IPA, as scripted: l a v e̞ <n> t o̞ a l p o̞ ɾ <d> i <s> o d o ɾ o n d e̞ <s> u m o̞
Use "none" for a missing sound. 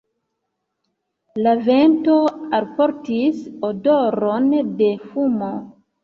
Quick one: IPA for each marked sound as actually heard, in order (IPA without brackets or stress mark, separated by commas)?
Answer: n, t, s, f